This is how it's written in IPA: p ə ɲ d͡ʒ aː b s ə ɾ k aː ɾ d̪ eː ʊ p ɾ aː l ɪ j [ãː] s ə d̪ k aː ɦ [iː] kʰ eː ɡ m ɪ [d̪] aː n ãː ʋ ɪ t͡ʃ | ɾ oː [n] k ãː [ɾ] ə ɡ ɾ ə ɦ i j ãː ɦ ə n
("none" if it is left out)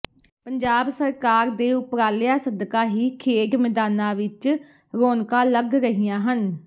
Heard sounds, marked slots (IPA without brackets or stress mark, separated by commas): aː, iː, d̪, n, l